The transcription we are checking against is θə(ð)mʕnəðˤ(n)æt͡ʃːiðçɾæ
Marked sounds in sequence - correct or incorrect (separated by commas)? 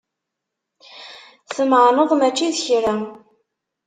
incorrect, incorrect